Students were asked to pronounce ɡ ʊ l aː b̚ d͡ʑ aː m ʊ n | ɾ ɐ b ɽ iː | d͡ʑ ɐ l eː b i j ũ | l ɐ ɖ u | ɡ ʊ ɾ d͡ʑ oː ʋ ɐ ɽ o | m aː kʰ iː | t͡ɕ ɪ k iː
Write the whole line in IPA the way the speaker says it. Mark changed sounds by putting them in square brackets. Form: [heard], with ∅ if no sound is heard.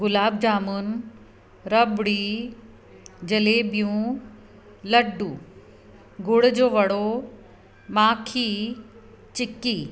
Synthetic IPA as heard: ɡ ʊ l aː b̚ d͡ʑ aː m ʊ n | ɾ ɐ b ɽ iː | d͡ʑ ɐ l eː b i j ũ | l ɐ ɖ u | ɡ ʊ [ɽ] d͡ʑ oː ʋ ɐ ɽ o | m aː kʰ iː | t͡ɕ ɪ k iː